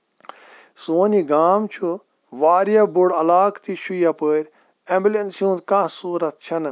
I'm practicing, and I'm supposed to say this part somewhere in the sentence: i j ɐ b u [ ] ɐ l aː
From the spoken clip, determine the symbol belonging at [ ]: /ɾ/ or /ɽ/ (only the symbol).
ɽ